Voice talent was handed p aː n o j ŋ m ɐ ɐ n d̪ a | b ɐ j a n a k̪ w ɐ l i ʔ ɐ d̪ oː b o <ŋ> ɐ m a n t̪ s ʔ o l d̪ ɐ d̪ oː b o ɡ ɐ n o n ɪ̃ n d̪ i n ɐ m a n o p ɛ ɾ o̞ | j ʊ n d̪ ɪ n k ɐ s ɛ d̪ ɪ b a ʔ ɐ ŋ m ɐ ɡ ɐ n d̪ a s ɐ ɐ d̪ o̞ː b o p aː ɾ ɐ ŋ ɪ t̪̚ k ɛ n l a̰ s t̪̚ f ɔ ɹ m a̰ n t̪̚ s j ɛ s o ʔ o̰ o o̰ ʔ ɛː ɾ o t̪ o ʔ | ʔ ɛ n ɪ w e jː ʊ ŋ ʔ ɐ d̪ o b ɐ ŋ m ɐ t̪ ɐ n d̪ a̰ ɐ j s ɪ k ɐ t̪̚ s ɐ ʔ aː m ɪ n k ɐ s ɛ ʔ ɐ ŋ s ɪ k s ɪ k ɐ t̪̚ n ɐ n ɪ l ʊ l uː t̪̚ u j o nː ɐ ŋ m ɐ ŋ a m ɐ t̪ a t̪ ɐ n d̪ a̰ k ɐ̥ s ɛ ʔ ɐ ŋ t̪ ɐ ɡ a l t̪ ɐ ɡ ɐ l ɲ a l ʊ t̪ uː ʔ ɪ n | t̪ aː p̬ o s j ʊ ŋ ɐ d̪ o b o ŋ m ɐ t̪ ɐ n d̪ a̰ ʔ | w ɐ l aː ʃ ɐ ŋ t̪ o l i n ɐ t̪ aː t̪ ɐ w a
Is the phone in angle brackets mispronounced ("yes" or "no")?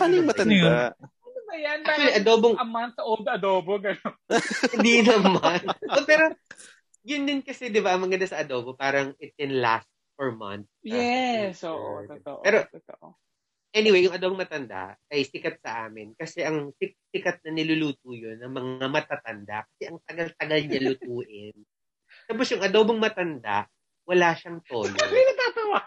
no